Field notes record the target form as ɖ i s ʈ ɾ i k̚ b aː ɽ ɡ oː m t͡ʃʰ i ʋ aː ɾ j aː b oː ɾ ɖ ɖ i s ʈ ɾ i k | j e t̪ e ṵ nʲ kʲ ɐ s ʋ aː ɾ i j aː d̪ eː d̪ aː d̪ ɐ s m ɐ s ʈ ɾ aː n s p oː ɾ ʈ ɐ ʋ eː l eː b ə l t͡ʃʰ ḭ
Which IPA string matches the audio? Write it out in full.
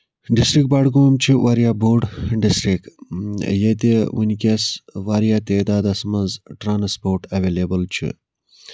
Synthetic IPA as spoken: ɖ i s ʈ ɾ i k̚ b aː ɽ ɡ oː m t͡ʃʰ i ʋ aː ɾ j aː b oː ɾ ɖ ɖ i s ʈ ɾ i k | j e t̪ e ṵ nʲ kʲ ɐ s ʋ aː ɾ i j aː t̪ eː d̪ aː d̪ ɐ s m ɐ z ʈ ɾ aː n s p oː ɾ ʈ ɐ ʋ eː l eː b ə l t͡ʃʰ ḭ